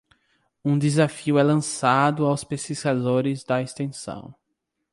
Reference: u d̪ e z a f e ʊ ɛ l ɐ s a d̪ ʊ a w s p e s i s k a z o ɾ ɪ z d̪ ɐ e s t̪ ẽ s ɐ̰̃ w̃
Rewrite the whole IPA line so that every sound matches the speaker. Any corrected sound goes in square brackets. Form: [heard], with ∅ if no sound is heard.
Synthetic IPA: [ũ] d̪ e z a f [i] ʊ ɛ l [ɐ̃] s a d̪ ʊ a w s p e s i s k a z o ɾ ɪ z d̪ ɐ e s t̪ ẽ s ɐ̰̃ w̃